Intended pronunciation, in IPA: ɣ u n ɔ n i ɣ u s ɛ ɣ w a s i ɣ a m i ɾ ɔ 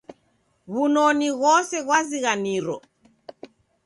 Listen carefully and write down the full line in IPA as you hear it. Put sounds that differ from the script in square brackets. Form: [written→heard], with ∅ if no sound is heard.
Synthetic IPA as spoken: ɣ u n ɔ n i ɣ [u→ɔ] s ɛ ɣ w a [s→z] i ɣ a [m→n] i ɾ ɔ